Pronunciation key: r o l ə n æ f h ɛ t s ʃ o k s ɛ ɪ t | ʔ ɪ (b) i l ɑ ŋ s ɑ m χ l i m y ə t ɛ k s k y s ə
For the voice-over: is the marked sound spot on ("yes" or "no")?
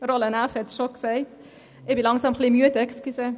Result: yes